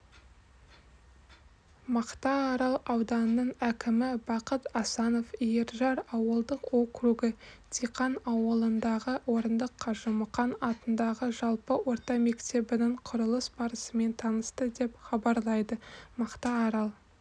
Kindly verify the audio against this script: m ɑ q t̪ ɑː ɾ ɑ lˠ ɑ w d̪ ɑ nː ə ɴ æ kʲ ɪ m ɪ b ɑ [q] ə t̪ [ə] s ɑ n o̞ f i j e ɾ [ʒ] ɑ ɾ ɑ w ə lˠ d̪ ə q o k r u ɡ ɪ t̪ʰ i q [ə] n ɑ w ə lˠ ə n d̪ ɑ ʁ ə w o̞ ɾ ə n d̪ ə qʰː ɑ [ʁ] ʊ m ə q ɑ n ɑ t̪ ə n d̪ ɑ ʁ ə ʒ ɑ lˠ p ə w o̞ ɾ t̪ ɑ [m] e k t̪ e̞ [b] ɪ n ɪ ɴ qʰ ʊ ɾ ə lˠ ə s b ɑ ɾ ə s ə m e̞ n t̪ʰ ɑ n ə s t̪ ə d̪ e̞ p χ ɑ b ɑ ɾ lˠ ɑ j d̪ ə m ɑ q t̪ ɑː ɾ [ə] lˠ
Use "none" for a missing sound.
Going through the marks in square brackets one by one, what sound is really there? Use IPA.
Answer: q, ɑ, ʒ, ɑ, ʒ, m, b, ɑ

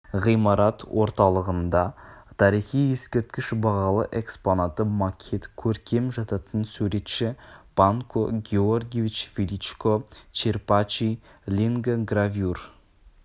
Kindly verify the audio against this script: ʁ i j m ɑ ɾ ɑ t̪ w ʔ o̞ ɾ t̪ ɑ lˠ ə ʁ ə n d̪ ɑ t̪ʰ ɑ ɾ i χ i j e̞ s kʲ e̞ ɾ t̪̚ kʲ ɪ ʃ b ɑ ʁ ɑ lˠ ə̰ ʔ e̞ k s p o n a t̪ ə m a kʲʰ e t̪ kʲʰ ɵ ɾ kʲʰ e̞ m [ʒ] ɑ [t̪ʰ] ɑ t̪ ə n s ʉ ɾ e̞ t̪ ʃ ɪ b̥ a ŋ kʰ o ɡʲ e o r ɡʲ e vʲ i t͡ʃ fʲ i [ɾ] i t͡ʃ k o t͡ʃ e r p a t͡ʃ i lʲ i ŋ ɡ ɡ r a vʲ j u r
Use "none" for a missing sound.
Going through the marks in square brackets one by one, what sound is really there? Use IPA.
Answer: ʒ, t̪, l

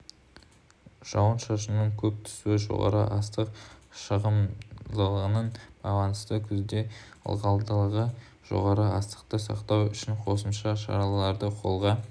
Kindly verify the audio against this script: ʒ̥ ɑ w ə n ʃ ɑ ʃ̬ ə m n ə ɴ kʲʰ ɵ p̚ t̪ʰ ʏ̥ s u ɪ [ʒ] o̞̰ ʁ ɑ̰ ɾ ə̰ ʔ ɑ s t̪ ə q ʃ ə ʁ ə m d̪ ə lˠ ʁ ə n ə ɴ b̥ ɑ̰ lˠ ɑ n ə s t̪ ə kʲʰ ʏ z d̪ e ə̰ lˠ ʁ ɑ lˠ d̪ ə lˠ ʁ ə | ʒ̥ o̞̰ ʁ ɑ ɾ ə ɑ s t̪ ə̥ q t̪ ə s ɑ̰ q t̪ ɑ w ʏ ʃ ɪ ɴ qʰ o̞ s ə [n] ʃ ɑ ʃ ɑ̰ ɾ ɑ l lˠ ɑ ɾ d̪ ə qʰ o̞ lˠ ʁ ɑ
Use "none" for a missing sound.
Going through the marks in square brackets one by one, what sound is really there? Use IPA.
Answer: ʒ, m

